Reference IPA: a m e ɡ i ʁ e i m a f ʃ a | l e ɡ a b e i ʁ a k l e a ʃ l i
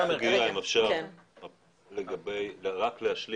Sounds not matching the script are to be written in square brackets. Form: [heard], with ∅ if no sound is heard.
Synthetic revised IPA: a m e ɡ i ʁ [a] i m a f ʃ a | l e ɡ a b e [j] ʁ a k l e a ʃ l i